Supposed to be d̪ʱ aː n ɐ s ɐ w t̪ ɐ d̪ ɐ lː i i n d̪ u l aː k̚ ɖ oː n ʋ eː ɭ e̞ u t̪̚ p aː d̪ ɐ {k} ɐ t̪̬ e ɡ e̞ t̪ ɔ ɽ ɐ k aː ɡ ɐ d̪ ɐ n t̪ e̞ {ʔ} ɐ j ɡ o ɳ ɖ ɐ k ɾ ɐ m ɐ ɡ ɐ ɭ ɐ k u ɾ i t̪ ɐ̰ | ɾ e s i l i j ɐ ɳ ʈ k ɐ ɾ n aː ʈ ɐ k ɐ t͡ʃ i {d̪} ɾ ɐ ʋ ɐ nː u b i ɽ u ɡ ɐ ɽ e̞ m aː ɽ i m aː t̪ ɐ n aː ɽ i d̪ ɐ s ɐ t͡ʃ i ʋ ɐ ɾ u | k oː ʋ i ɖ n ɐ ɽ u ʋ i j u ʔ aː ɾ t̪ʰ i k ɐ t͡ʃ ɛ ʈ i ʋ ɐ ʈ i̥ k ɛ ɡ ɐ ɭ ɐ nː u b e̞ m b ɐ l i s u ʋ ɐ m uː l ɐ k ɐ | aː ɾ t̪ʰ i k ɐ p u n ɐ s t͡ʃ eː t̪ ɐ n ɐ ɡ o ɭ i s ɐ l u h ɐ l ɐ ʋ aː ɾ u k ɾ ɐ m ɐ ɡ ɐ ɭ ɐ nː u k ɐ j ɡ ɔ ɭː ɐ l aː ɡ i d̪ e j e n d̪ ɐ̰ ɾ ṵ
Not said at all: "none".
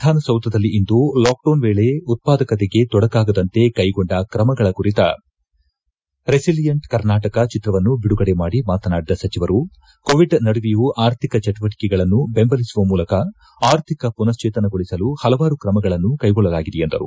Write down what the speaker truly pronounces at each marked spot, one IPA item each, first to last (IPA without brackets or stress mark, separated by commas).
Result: k, k, t̪